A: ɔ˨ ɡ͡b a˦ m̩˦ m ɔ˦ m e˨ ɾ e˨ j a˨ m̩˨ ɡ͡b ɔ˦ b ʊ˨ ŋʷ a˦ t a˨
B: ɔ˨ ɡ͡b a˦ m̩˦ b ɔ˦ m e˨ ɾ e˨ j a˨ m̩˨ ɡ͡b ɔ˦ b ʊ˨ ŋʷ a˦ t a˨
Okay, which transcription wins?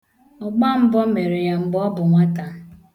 B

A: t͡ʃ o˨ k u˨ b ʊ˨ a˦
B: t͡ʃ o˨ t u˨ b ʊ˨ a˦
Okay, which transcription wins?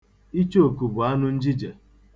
A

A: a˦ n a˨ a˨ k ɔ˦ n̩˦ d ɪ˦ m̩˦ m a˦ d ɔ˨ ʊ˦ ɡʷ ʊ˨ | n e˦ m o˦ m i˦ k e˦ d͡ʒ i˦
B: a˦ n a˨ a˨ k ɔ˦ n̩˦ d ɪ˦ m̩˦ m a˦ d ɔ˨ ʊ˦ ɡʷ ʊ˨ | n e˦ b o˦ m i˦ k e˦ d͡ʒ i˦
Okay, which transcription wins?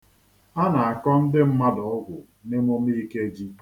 A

